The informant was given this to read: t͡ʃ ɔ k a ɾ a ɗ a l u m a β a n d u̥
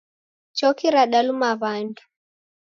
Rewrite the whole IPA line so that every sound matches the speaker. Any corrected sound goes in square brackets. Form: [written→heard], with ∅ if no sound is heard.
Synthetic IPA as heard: t͡ʃ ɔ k [a→i] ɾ a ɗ a l u m a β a n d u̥